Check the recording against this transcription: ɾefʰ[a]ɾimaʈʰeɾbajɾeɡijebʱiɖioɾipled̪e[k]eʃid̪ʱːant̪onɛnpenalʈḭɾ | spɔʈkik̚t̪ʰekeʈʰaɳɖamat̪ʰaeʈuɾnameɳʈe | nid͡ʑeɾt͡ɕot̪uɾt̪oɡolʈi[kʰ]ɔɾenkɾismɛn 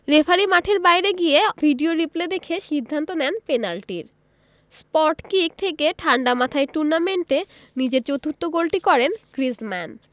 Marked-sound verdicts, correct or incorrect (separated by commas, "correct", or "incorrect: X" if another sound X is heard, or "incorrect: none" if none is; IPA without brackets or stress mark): correct, incorrect: kʰ, incorrect: k